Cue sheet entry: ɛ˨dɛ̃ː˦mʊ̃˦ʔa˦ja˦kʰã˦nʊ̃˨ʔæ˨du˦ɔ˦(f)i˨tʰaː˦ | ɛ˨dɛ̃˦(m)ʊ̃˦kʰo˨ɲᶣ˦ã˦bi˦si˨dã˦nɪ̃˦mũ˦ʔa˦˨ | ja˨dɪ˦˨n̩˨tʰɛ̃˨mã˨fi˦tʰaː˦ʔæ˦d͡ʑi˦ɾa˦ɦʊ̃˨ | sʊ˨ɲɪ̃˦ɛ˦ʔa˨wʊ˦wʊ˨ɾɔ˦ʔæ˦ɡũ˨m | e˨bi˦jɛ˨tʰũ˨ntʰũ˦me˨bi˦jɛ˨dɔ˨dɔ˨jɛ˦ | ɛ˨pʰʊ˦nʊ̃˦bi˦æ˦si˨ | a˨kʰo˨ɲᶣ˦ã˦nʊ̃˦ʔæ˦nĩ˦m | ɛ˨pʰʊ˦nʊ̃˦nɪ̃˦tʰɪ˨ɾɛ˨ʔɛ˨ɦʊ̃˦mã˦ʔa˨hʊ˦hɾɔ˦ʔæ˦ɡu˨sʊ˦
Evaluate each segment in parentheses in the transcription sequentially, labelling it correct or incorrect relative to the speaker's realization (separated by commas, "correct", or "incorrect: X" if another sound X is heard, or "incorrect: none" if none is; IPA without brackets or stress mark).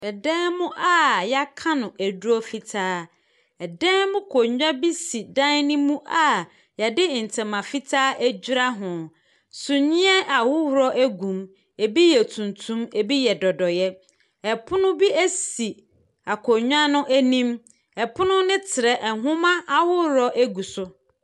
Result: correct, correct